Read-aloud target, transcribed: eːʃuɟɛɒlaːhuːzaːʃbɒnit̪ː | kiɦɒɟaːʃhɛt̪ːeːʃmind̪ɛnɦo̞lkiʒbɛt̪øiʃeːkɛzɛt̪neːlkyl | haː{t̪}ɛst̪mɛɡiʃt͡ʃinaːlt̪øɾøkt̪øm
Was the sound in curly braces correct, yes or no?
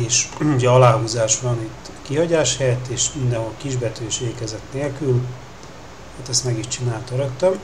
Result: yes